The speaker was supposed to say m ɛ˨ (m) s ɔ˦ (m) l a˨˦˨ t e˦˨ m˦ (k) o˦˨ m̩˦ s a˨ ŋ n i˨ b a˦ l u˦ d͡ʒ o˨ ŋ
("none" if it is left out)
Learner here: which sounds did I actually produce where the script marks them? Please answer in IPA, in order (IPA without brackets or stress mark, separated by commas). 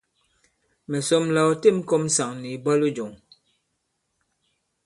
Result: none, m, k